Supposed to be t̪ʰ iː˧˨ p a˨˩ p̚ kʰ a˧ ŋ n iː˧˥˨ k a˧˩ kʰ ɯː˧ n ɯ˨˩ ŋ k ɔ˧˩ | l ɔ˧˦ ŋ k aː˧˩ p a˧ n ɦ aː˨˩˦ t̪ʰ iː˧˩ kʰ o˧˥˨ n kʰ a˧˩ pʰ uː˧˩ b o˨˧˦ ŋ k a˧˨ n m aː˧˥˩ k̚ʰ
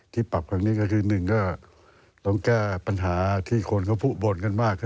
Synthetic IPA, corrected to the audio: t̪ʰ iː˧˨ p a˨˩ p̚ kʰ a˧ ŋ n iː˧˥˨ k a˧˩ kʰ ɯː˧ n ɯ˨˩ ŋ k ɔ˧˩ | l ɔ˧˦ ŋ k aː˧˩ p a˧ n ɦ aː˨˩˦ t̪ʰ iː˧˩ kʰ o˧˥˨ n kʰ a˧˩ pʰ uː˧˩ b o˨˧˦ n k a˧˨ n m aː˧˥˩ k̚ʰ